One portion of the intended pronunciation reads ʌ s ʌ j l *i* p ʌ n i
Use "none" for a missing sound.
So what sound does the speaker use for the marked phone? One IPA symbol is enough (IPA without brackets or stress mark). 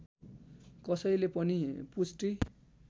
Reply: e